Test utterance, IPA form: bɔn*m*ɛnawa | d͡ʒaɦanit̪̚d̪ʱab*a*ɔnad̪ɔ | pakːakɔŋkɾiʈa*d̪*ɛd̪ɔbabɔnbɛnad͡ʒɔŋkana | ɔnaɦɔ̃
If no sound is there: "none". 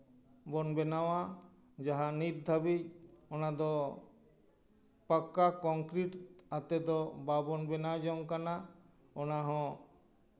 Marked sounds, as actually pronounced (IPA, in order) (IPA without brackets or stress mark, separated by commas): b, i, t̪